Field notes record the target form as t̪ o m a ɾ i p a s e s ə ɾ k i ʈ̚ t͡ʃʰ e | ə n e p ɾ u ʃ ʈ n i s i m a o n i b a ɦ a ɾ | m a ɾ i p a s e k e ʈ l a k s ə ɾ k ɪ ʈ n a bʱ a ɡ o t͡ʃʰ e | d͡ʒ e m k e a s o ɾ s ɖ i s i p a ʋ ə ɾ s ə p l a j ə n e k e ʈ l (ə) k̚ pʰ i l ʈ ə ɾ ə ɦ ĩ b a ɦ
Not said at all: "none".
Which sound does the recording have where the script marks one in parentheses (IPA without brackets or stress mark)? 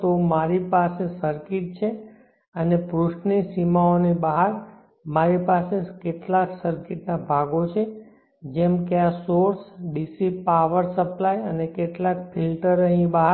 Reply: a